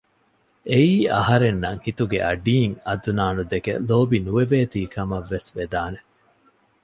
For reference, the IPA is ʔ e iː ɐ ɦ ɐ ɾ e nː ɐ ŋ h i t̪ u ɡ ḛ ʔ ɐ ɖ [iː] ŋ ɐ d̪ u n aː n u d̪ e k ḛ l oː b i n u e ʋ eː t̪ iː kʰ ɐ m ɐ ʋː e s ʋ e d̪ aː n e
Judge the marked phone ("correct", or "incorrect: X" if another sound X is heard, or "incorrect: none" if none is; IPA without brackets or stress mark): correct